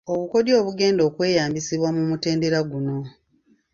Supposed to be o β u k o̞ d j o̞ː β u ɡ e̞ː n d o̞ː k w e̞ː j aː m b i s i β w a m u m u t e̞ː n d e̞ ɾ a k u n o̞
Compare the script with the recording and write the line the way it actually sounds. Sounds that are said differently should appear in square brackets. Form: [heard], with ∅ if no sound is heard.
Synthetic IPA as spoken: o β u k o̞ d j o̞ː β u ɡ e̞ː n d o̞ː k w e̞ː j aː m b i s i β w a m u m u t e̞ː n d e̞ ɾ a [ɡ] u n o̞

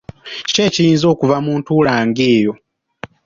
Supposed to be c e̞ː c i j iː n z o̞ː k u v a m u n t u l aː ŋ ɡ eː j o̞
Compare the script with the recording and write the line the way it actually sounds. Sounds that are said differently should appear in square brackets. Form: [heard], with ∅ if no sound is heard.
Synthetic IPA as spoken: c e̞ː c i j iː n z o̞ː k u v a m [uː] n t u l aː ŋ ɡ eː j o̞

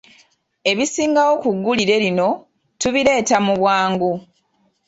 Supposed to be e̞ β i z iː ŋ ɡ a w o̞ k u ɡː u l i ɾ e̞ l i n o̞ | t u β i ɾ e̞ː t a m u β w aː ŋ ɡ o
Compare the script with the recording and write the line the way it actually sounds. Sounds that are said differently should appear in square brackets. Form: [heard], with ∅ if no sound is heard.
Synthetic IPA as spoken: e̞ β i [s] iː ŋ ɡ a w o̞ k u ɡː u l i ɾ e̞ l i n o̞ | t u β i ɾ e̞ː t a m u β w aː ŋ ɡ [u]

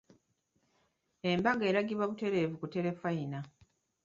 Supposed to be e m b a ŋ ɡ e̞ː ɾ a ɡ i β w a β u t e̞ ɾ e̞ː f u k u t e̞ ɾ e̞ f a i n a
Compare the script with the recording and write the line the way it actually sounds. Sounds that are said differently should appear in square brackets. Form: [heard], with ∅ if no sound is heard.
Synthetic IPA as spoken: e m b a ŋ ɡ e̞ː ɾ a ɡ i β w a β u t e̞ ɾ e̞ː [v] u k u t e̞ ɾ e̞ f a i n a

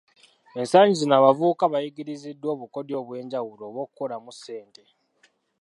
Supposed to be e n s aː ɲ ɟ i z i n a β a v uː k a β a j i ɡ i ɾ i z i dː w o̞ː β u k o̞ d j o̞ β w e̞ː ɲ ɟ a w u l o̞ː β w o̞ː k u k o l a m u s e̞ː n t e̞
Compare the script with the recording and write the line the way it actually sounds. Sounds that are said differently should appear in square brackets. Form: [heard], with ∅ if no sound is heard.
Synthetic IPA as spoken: e n s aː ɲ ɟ i z i n a β a v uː k a β a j i ɡ i ɾ i z i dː w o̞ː β u k o̞ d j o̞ β w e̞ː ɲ ɟ a w u l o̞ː β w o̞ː k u k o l a m u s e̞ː n t e̞

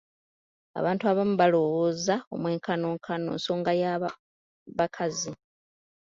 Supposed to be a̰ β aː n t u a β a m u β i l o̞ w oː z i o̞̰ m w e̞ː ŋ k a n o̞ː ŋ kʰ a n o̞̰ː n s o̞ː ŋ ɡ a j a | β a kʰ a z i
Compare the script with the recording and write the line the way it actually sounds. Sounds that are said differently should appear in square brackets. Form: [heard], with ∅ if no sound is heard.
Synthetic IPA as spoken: a̰ β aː n t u a β a m u β [a] l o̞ w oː z [a] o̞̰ m w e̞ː ŋ k a n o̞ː ŋ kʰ a n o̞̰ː n s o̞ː ŋ ɡ a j a | β a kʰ a z i

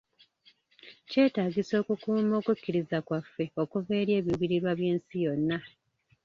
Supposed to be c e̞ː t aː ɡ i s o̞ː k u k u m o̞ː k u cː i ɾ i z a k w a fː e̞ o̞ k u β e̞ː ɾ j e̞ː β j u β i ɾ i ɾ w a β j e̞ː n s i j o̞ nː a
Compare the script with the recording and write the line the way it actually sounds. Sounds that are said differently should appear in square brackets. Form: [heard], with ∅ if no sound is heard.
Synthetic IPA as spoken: c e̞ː t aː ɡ i s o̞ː k u k [uː] m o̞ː k u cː i ɾ i z a k w a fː e̞ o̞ k u [v] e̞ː ɾ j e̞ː β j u β i ɾ i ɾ w a β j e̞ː n s i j o̞ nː a

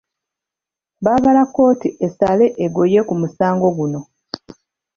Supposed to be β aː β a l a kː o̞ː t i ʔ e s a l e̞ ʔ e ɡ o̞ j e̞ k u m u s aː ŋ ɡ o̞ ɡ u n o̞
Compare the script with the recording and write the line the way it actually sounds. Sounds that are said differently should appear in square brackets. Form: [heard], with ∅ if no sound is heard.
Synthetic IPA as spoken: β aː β a l a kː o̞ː t i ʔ e s a l e̞ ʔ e ɡ o̞ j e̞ k u m u s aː ŋ ɡ o̞ ɡ u n o̞

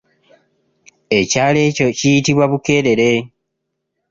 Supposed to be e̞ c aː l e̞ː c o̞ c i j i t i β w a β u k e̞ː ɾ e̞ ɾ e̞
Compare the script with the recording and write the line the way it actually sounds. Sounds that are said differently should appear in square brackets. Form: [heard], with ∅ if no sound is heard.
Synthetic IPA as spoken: e̞ c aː l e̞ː c o̞ c i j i t i β w a β u k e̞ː ɾ e̞ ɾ e̞

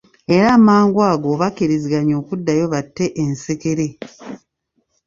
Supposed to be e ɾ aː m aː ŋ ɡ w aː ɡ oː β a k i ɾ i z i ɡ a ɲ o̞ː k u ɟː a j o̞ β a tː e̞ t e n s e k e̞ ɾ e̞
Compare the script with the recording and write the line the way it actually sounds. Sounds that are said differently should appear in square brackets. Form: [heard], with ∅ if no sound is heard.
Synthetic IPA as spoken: e ɾ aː m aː ŋ ɡ w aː ɡ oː β a k i ɾ i z i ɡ a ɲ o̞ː k u [dː] a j o̞ β a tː e̞ [ʔ] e n s e k e̞ ɾ e̞

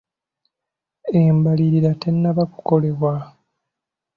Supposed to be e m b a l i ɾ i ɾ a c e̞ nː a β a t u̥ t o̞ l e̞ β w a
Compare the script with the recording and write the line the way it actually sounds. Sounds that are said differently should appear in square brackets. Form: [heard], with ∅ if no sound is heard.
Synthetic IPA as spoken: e m b a l i ɾ i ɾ a [t] e̞ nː a β a [k] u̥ [k] o̞ l e̞ β w a

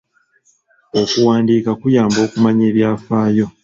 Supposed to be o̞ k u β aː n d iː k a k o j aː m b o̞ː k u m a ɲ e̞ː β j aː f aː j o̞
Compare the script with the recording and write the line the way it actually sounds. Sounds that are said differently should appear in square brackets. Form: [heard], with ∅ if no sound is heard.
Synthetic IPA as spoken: o̞ k u [w] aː n d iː k a k [u] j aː m b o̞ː k u m a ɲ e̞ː β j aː f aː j o̞

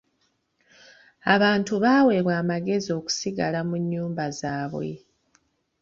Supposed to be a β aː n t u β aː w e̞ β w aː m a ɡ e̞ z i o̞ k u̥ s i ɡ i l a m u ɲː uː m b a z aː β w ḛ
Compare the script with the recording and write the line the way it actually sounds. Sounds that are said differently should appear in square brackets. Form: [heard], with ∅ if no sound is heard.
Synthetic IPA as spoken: a β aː n t u β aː w e̞ β w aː m a ɡ e̞ z i o̞ k u̥ s i ɡ [a] l a m u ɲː uː m b a z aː β w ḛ

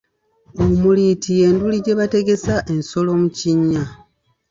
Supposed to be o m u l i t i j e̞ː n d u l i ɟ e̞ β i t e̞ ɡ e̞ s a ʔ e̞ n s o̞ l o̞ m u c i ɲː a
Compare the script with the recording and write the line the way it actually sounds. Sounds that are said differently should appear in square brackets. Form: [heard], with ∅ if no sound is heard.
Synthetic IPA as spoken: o m u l i t i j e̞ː n d u l i ɟ e̞ β [a] t e̞ ɡ e̞ s a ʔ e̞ n s o̞ l o̞ m u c i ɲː a

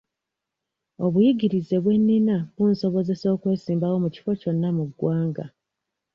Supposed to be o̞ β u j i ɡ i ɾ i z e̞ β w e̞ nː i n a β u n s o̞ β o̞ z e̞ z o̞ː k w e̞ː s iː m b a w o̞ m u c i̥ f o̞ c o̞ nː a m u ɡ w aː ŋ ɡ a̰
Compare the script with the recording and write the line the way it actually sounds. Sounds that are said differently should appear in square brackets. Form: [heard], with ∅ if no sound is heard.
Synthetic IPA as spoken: o̞ β u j i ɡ i ɾ i z e̞ β w e̞ nː i n a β u n s o̞ β o̞ z e̞ [s] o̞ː k w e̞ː s iː m b a w o̞ m u c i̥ f o̞ c o̞ nː a m u ɡ w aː ŋ ɡ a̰

